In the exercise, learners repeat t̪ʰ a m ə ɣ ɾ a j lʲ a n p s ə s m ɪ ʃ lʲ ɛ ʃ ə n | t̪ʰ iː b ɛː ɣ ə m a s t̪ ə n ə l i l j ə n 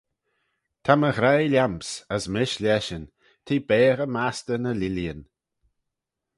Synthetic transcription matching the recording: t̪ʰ a m ə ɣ ɾ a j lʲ a m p s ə s m ɪ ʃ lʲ ɛ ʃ ə n | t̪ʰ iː b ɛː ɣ ə m a s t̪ ə n ə l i l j ə n